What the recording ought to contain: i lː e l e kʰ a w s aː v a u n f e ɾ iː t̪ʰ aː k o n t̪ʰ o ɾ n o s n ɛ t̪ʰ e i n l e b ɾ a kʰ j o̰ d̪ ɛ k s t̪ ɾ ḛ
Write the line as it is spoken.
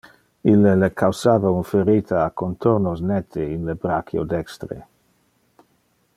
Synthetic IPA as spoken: i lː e l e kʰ a w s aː v a u n f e ɾ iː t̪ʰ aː k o n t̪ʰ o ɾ n o s n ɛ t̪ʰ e i n l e b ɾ a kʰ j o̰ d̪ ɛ k s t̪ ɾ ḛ